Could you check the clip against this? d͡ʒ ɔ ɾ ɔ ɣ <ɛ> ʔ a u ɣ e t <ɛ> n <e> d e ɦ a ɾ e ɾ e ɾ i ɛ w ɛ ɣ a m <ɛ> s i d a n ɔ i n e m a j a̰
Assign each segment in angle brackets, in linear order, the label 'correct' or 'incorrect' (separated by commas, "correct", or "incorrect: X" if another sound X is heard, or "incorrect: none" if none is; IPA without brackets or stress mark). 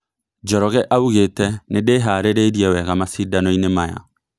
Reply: correct, correct, correct, incorrect: a